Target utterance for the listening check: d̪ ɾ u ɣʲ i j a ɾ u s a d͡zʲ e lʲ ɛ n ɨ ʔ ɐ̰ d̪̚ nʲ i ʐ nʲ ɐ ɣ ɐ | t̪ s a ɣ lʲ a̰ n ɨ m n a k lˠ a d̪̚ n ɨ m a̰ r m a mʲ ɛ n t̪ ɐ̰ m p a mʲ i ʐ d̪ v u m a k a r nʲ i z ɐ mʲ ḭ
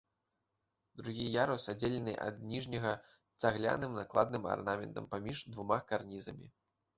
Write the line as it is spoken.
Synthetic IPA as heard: d̪ ɾ u ɣʲ i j a ɾ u s a d͡zʲ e lʲ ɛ n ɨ ʔ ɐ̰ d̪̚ nʲ i ʐ nʲ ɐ ɣ ɐ | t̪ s a ɣ lʲ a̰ n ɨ m n a k lˠ a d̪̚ n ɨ m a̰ r n a mʲ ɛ n t̪ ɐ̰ m p a mʲ i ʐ d̪ v u m a k a r nʲ i z ɐ mʲ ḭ